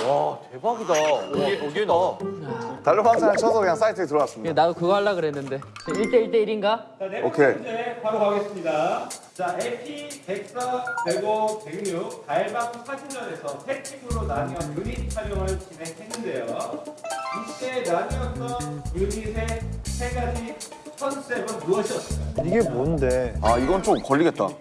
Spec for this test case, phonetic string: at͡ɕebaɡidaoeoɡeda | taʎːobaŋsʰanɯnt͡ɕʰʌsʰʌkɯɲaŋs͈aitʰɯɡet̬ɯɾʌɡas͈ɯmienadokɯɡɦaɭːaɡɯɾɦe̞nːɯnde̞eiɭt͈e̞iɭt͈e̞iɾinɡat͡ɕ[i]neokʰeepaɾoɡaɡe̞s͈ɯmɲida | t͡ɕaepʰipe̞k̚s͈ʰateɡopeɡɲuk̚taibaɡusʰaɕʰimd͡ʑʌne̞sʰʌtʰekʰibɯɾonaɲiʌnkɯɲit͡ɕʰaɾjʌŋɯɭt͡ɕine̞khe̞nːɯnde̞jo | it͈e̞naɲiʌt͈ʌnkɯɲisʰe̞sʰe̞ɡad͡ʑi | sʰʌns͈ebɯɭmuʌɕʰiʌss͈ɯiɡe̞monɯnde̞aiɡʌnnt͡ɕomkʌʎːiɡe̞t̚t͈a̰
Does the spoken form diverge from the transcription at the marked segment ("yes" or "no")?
yes